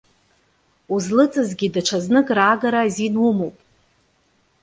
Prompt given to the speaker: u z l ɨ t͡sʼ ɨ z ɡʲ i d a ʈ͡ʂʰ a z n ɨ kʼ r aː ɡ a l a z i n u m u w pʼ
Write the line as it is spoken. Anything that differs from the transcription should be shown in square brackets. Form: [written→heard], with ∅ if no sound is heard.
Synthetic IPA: u z l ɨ t͡sʼ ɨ z ɡʲ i d a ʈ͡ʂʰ a z n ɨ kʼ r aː ɡ a [l→ɾ] a z i n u m [u→o] w pʼ